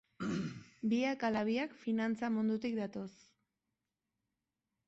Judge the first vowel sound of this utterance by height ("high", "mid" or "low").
high